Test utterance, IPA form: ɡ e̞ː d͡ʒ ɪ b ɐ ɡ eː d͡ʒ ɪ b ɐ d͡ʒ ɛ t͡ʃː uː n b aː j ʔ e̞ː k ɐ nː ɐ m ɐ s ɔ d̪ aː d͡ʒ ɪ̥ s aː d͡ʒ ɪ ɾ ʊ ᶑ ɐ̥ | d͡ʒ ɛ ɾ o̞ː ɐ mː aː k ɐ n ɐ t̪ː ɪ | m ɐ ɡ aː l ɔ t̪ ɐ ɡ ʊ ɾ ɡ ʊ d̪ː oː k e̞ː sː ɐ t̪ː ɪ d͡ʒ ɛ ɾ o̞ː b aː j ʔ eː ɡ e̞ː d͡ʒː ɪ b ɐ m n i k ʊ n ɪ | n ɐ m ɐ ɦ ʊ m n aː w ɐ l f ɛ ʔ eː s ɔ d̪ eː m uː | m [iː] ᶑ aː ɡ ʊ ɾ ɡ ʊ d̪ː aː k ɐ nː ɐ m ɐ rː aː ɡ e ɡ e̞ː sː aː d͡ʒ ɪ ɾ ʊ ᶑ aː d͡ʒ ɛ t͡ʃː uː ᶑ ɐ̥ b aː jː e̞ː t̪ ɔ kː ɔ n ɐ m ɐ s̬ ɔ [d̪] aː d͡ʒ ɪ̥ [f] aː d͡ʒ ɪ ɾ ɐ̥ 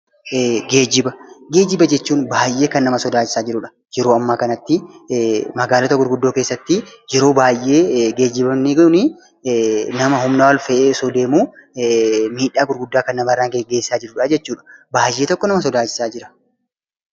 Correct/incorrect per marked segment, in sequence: correct, correct, incorrect: s

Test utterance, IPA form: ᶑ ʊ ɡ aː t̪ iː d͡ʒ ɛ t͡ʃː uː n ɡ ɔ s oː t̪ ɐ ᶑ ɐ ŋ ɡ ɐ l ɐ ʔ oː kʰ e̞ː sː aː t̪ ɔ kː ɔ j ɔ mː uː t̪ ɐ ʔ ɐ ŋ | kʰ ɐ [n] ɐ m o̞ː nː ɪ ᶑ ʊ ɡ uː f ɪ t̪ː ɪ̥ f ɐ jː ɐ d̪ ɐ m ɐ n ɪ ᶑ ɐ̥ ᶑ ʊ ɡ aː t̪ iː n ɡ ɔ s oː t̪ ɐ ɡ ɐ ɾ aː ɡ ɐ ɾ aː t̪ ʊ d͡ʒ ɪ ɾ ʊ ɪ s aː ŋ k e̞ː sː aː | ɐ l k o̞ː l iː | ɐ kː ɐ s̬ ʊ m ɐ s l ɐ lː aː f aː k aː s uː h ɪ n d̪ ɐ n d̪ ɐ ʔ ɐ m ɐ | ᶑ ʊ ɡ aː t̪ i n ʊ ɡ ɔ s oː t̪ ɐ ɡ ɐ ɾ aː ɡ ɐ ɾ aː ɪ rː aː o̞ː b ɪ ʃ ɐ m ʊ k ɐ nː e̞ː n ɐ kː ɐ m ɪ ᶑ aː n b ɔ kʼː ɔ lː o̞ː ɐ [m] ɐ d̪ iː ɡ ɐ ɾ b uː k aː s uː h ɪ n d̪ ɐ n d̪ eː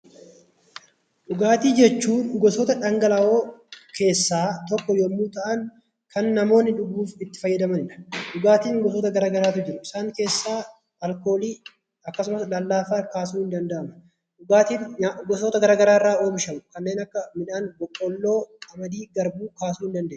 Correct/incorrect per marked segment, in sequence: incorrect: nː, correct

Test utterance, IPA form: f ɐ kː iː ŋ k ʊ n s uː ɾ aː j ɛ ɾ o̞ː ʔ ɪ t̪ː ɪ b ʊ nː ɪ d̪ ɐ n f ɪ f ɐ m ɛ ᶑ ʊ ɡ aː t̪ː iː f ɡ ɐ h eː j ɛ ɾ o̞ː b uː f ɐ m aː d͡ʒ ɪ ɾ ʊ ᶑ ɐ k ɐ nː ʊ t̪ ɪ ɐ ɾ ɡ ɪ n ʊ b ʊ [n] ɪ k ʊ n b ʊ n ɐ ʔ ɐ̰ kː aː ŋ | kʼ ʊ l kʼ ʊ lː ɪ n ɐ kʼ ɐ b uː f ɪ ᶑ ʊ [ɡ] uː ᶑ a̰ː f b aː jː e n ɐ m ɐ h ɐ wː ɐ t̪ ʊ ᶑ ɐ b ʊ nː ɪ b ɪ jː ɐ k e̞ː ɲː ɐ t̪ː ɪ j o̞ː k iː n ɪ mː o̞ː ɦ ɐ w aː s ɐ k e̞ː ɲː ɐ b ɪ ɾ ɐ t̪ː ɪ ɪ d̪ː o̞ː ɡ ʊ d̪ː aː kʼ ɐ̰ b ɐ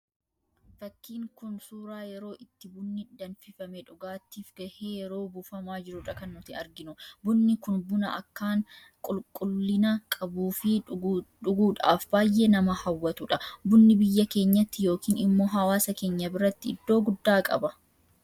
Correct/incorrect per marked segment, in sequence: incorrect: nː, correct

